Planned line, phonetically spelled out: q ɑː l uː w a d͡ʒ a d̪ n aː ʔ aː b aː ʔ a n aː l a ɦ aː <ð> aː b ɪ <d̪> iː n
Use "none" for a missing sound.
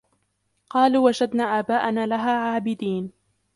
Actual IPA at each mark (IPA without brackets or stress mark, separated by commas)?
ʕ, d̪